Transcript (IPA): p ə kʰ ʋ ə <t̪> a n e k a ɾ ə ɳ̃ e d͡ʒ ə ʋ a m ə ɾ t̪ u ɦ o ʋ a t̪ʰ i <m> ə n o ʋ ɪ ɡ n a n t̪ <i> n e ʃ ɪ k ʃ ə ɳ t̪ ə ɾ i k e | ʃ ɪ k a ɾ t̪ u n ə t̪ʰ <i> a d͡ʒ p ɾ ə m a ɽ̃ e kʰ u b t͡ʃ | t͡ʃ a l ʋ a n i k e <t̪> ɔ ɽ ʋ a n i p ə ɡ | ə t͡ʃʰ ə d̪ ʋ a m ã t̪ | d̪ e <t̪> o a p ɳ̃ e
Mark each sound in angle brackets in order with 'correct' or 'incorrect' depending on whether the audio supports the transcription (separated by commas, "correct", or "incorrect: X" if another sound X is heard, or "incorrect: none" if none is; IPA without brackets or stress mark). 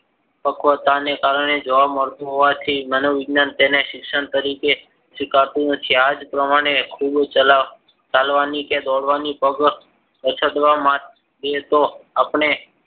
correct, correct, incorrect: e, correct, incorrect: d̪, correct